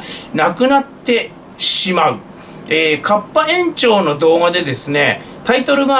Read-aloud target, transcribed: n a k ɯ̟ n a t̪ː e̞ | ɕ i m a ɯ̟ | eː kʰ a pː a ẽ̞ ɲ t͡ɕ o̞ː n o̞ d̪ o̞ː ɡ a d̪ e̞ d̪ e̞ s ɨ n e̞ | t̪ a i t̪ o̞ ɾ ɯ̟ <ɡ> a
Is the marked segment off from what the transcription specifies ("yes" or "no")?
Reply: no